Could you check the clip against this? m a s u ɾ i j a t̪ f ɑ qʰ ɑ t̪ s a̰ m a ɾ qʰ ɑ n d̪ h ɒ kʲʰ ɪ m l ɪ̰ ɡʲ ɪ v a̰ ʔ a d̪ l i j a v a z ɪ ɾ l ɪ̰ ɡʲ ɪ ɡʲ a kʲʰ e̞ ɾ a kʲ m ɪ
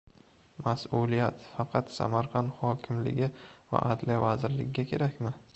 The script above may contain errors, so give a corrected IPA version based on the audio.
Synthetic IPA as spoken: m a s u l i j a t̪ f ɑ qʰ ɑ t̪ s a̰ m a ɾ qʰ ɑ n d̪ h ɒ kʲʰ ɪ m l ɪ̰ ɡʲ ɪ v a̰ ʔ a d̪ l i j a v a z ɪ ɾ l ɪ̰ ɡʲ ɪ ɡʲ a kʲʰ e̞ ɾ a kʲ m ɪ